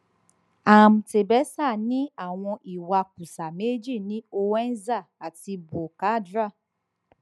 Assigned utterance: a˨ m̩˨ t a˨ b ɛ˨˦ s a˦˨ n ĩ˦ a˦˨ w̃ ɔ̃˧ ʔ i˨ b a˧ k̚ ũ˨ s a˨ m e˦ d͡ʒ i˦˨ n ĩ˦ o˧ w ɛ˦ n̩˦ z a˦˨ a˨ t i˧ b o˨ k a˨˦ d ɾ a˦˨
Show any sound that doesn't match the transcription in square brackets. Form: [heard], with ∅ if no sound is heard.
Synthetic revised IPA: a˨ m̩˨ t [e˨] b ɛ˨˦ s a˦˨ n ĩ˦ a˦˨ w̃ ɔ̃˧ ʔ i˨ [w] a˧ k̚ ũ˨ s a˨ m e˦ d͡ʒ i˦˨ n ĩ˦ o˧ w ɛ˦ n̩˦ z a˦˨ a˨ t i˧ b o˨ k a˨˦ d ɾ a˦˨